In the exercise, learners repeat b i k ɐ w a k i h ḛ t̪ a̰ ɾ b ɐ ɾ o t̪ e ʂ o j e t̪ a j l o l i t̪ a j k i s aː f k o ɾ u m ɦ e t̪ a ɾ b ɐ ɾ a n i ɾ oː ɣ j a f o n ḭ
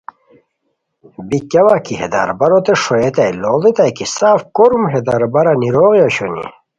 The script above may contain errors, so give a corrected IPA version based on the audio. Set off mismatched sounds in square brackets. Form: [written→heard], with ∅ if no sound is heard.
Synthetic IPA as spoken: b i k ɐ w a k i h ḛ [t̪→d̪] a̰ ɾ b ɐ ɾ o t̪ e ʂ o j e t̪ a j l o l i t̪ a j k i s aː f k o ɾ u m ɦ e [t̪→d̪] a ɾ b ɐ ɾ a n i ɾ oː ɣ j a [f→ɕ] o n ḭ

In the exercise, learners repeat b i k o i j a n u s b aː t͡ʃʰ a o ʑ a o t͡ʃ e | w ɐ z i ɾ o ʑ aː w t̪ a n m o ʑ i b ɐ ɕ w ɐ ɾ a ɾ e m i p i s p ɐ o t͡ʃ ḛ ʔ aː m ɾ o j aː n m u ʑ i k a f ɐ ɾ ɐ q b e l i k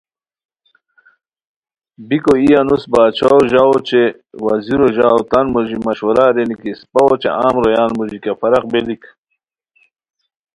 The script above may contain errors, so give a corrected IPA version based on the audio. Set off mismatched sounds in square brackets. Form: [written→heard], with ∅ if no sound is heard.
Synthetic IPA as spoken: b i k o i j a n u s b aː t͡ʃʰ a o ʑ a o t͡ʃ e | w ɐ z i ɾ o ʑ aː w t̪ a n m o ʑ i [b→m] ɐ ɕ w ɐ ɾ a ɾ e [m→n] i [p→k] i s p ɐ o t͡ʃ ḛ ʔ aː m ɾ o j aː n m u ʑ i k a f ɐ ɾ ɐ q b e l i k

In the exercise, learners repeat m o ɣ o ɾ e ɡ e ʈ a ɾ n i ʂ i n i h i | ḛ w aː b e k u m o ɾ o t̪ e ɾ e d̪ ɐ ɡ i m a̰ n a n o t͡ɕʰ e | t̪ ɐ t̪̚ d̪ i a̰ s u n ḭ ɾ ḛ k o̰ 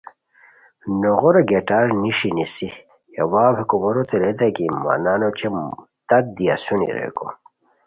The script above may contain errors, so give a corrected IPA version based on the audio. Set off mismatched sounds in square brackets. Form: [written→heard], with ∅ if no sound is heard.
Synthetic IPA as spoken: [m→n] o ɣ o ɾ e ɡ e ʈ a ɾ n i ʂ i n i [h→s] i | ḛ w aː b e k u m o ɾ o t̪ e ɾ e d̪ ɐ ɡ i m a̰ n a n o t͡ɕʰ e | t̪ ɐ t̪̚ d̪ i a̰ s u n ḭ ɾ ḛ k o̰

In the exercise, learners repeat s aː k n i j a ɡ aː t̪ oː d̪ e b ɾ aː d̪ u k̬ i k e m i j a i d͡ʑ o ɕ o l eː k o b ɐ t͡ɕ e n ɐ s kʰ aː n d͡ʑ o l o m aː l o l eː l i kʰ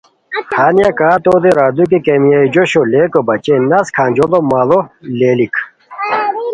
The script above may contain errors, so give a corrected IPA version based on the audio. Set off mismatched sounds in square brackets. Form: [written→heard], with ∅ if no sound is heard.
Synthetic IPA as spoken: [s→h] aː [k→∅] n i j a [ɡ→k] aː t̪ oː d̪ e [b→∅] ɾ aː d̪ u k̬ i k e m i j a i d͡ʑ o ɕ o l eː k o b ɐ t͡ɕ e n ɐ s kʰ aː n d͡ʑ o l o m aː l o l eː l i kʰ

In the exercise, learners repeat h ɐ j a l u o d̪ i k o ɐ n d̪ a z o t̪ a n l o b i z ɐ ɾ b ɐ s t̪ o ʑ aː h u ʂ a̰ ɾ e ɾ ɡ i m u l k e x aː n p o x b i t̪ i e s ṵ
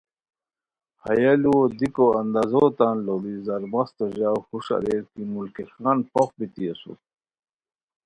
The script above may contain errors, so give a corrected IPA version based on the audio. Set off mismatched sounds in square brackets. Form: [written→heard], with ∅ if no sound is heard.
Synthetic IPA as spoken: h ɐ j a l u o d̪ i k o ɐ n d̪ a z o t̪ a n l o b i z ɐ ɾ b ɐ s t̪ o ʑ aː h u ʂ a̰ ɾ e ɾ [ɡ→k] i m u l k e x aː n p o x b i t̪ i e s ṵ

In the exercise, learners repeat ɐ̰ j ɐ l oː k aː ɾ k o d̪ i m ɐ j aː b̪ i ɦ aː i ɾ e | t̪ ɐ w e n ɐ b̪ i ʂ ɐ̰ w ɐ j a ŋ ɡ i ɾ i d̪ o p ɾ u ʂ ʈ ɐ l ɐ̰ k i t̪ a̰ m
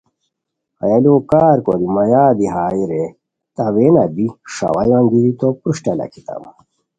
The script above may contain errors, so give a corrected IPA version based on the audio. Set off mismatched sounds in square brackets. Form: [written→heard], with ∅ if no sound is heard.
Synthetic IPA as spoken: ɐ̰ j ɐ l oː k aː ɾ k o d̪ i m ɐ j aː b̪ i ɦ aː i ɾ e | t̪ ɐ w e n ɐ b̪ i ʂ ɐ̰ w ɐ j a ŋ ɡ i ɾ i [d̪→t̪] o p ɾ u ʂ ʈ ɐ l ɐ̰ k i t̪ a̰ m

